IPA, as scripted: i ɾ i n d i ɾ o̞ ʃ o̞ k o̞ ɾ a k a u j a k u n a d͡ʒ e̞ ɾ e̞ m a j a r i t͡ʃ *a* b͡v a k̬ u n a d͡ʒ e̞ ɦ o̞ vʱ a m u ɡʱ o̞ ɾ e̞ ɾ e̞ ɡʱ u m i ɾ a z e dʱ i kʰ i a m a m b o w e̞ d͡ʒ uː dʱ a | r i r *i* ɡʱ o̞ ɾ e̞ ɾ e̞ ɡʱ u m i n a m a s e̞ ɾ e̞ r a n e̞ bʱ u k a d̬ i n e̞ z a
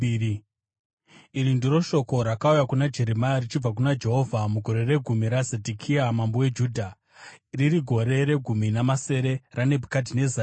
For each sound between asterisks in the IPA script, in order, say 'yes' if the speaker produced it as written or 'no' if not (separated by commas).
no, yes